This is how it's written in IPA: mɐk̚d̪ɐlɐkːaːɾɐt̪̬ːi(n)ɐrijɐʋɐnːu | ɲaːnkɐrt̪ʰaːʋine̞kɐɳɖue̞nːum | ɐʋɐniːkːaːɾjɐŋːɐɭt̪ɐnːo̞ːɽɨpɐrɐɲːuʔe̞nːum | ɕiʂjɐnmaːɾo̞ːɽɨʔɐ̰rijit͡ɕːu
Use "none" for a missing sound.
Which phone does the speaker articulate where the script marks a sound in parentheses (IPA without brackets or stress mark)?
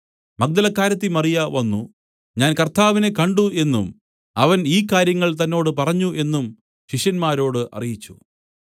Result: m